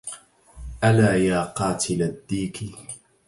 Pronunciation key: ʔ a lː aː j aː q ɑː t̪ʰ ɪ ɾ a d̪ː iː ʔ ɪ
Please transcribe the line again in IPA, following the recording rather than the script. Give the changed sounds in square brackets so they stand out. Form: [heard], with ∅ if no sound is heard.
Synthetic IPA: ʔ a [l] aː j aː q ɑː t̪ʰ ɪ [l] a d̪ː iː [k] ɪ